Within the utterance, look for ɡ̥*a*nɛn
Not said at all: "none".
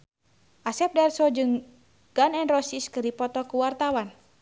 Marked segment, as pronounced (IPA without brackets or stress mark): a